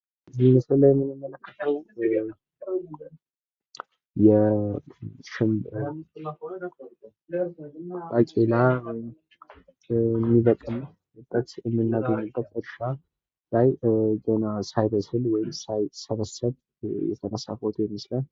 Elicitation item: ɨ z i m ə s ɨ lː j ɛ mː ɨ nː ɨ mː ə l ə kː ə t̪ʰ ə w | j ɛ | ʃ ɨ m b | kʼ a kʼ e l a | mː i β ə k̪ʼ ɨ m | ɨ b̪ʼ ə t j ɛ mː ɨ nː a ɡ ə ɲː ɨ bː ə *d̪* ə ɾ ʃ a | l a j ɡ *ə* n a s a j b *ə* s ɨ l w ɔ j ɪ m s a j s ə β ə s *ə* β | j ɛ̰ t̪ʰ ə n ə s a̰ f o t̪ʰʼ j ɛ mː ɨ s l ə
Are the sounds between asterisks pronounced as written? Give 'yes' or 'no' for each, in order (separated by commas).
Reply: no, yes, yes, yes